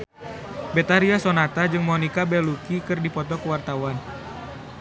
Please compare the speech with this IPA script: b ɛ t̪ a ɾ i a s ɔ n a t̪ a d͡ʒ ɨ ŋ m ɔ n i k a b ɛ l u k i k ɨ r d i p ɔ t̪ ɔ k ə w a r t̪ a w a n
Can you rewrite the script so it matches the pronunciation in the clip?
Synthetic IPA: b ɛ t̪ a ɾ i a s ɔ n a t̪ a d͡ʒ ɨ ŋ m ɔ n i k a b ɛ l u k i k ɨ r d i p ɔ t̪ ɔ k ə w a r t̪ a w a n